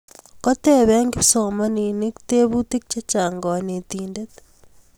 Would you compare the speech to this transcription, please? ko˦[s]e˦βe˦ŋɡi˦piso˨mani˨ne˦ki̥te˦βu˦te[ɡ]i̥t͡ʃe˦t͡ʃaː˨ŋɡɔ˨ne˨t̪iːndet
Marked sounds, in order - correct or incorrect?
incorrect: t, incorrect: k

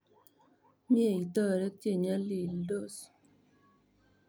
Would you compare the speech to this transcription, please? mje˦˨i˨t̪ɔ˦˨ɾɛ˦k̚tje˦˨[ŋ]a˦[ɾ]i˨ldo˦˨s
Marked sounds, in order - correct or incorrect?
incorrect: ɲ, incorrect: l

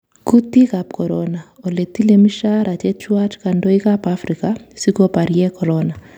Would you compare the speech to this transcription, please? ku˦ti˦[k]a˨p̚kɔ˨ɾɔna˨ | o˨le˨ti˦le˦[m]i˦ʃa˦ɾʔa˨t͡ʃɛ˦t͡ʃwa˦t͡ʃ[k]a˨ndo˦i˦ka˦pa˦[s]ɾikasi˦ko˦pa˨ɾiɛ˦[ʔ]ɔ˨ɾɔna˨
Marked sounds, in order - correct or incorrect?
correct, correct, correct, incorrect: f, incorrect: k

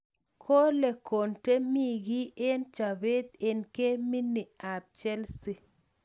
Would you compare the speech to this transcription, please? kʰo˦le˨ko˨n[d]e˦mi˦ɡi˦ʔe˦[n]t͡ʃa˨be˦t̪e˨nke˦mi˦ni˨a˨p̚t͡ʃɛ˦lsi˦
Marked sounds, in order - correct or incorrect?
incorrect: t, correct

